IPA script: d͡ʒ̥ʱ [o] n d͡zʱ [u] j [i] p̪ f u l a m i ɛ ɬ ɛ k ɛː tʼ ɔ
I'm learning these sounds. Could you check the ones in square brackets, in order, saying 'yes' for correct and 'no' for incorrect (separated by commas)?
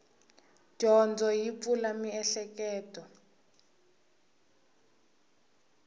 no, no, yes